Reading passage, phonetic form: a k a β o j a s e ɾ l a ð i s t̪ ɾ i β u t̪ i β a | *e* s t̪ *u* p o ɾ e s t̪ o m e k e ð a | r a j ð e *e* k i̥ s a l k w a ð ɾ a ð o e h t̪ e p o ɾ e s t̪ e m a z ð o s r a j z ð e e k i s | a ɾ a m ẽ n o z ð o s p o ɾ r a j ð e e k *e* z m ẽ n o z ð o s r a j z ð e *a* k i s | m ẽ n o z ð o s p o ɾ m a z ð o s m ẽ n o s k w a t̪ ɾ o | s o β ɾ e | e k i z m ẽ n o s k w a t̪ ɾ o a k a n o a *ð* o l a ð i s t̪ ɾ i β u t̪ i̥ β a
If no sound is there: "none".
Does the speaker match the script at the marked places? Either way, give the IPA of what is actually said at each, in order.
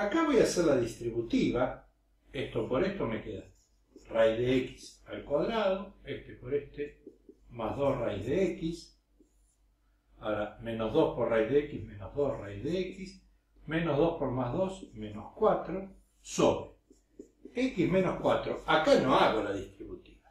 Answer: e, o, e, i, e, ɣ

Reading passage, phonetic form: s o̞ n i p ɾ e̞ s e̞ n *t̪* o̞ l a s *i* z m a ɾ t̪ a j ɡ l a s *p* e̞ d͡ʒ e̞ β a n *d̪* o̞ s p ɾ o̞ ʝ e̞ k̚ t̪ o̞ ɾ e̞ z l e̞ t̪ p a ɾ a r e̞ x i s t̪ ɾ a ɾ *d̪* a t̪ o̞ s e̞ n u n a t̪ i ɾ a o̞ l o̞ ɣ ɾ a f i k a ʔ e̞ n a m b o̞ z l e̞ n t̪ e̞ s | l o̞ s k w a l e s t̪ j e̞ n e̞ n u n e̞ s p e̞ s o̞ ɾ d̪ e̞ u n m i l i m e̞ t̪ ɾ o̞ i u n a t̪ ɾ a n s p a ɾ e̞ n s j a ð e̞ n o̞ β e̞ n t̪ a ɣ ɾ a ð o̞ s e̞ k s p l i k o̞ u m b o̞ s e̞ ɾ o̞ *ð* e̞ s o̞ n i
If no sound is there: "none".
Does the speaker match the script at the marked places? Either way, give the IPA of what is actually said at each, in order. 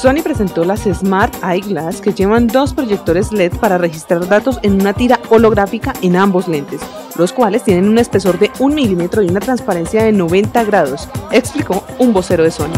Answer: t̪, e, k, d̪, d̪, ð

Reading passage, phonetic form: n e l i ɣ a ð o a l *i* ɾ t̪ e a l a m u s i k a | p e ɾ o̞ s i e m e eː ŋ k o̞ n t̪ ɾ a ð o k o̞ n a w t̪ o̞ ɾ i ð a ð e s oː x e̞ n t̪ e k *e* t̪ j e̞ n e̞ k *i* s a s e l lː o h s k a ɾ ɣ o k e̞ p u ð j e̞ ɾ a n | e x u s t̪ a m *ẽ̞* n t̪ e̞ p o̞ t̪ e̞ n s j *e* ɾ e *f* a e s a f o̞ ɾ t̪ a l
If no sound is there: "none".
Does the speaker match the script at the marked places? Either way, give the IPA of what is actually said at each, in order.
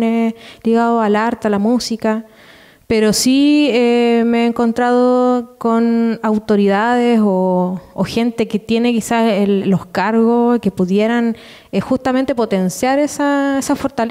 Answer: a, e, i, e̞, a, s

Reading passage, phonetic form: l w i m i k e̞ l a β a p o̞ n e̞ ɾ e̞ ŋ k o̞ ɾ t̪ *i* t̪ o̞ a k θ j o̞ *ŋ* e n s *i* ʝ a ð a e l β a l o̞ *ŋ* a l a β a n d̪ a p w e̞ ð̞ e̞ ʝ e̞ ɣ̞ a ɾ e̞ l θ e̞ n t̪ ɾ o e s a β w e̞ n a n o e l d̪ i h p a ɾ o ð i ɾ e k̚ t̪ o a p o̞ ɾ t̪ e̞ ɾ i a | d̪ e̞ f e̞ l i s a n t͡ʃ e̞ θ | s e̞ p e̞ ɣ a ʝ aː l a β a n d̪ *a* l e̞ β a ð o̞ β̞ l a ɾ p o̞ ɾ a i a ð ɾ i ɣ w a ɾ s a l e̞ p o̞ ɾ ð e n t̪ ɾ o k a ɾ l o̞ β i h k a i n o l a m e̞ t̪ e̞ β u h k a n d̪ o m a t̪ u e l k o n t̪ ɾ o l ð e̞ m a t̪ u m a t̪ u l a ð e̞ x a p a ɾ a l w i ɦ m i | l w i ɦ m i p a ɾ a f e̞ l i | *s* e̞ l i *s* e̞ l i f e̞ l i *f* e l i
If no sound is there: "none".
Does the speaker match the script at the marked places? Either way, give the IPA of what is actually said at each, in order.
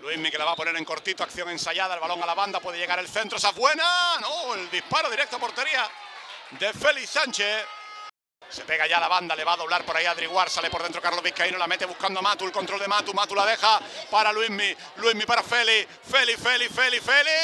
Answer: i, ŋ, a, ŋ, a, f, f, f

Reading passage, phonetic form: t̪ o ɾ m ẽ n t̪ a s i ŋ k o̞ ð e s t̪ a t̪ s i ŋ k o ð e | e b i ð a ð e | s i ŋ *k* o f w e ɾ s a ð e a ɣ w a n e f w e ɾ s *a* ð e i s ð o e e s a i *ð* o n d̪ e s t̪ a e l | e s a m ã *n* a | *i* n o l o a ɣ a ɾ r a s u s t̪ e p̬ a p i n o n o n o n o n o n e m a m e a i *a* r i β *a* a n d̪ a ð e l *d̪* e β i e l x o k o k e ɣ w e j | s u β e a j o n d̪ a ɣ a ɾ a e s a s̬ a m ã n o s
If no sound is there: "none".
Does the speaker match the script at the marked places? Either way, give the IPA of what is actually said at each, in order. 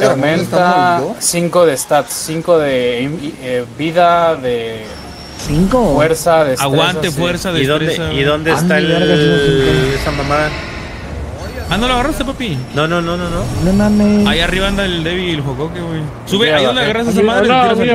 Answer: k, a, ð, m, a, a, a, d̪

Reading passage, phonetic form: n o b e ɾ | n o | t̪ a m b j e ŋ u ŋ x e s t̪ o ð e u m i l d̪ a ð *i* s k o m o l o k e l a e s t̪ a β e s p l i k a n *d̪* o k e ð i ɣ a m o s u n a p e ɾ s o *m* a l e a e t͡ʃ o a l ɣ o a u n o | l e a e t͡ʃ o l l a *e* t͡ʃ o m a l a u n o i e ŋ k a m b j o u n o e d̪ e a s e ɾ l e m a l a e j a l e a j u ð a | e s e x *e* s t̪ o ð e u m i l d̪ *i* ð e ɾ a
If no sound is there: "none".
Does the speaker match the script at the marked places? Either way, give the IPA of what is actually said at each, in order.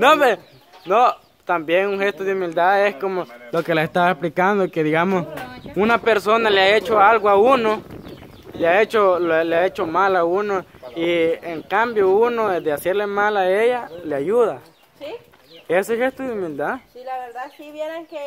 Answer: e, d̪, n, e, e, a

